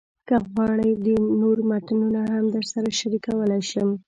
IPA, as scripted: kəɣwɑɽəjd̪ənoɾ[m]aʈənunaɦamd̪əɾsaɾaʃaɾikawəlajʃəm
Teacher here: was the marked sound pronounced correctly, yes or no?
yes